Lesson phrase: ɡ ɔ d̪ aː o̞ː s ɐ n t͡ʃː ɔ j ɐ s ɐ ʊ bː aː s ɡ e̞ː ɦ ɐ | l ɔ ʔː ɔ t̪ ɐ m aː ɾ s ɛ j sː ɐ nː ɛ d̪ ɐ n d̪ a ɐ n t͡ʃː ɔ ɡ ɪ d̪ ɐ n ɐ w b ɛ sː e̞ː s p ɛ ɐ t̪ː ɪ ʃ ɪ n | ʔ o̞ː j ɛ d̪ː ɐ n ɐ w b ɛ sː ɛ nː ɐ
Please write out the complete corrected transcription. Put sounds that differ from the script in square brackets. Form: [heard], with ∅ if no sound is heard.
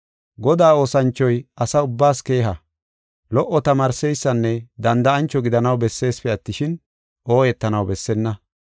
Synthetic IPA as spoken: ɡ ɔ d̪ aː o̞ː s ɐ n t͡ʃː ɔ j ɐ s ɐ ʊ bː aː s [k] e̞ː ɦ ɐ | l ɔ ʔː ɔ t̪ ɐ m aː ɾ s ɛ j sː ɐ nː ɛ d̪ ɐ n d̪ [ɐ] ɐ n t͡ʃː ɔ ɡ ɪ d̪ ɐ n ɐ w b ɛ sː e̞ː s p ɛ ɐ t̪ː ɪ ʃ ɪ n | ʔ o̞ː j ɛ [t̪ː] ɐ n ɐ w b ɛ sː ɛ nː ɐ